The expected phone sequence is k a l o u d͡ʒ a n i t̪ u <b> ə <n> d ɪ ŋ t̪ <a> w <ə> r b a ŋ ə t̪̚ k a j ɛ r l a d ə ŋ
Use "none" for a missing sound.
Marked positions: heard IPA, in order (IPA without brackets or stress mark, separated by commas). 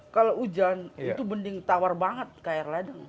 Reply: b, n, a, a